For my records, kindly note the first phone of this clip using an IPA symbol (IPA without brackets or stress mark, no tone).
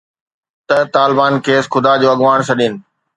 t̪